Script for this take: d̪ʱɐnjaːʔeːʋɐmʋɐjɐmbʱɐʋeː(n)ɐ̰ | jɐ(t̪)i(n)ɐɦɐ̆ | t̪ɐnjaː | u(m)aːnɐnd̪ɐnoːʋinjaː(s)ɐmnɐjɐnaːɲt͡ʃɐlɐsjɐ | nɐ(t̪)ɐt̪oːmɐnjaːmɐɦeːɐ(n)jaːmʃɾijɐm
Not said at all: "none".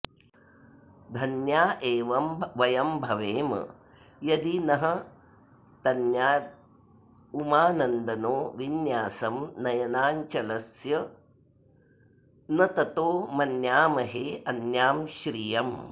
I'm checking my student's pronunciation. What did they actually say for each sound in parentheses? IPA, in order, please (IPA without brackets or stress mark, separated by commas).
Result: m, d̪, n, m, s, t̪, n